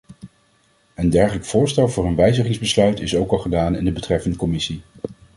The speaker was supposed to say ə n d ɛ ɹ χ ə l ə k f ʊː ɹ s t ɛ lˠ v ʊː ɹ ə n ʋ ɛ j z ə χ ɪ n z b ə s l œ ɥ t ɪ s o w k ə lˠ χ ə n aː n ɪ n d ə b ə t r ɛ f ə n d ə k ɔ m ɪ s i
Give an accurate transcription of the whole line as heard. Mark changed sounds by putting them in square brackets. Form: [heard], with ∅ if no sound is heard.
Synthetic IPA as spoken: ə n d ɛ ɹ χ ə l ə k f ʊː ɹ s t ɛ lˠ v ʊː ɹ ə n ʋ ɛ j z ə χ ɪ [ŋ] z b ə s l œ ɥ t ɪ s o w k [ɑ] lˠ χ ə [d] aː n ɪ n d ə b ə t r ɛ f ə n d ə k ɔ m ɪ s i